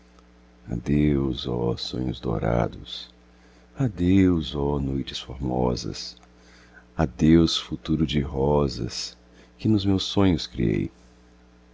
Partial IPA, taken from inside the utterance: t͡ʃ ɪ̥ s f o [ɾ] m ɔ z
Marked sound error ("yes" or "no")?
no